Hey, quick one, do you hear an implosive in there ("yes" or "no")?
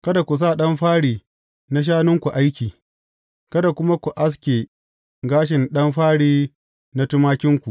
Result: yes